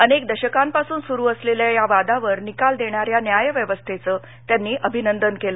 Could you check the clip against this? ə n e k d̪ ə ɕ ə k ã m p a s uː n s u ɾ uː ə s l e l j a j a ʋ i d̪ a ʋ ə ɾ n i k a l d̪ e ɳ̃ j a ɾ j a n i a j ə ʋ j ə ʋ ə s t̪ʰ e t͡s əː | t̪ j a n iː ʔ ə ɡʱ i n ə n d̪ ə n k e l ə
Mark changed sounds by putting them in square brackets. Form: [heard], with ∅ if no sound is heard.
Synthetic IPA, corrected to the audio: ə n e k d̪ ə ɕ ə k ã m p a s uː n s u ɾ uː ə s l e l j a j a ʋ [a] d̪ a ʋ ə ɾ n i k a l d̪ e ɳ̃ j a ɾ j a n [j] a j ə ʋ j ə ʋ ə s t̪ʰ e t͡s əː | t̪ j a [nː] iː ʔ ə [bʱ] i n ə n d̪ ə n k e l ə